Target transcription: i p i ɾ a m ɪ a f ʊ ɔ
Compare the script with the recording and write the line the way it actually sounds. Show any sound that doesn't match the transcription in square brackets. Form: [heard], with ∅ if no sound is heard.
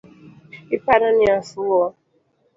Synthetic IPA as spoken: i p [a] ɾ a [n] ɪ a [s] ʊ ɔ